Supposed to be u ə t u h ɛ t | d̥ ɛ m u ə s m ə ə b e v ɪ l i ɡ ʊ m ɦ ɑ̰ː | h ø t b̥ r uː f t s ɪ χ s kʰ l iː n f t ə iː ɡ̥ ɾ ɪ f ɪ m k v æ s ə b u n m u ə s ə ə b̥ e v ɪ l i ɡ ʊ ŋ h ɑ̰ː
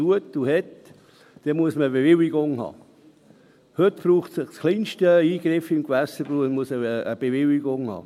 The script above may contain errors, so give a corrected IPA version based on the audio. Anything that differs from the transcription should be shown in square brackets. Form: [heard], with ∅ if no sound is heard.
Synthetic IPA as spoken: u ə t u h ɛ t | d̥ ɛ m u ə s m ə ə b e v ɪ l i ɡ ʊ [ŋ] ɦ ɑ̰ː | h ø t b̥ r uː [χ] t s ɪ χ s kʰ l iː n [ʃ] t ə iː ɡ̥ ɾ ɪ f ɪ m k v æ s ə b u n m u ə s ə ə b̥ e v ɪ l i ɡ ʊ ŋ h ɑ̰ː